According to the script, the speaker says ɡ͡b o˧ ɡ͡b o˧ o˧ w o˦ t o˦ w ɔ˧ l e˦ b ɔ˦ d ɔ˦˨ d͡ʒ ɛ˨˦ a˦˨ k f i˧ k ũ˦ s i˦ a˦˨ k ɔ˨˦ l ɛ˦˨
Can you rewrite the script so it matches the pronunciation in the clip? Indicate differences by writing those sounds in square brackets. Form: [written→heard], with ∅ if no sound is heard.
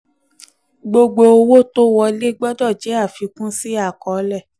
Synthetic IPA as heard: ɡ͡b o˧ ɡ͡b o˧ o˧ w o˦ t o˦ w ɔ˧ l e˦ [b→ɡ͡b] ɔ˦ d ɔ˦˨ d͡ʒ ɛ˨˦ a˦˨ [k→∅] f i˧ k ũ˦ s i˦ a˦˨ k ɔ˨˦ l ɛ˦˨